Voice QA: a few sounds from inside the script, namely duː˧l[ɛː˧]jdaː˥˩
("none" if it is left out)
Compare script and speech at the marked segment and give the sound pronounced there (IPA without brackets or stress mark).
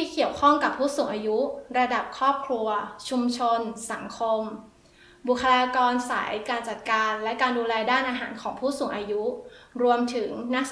ɛː˧